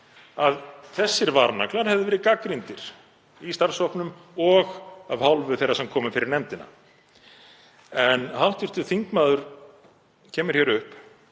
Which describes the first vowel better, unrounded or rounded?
unrounded